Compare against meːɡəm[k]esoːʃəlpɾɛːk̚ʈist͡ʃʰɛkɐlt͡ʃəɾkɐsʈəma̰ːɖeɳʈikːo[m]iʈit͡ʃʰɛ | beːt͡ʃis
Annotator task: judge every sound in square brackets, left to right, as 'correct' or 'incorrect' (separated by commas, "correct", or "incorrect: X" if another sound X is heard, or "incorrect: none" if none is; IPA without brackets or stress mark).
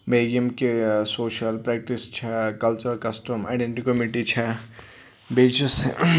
correct, correct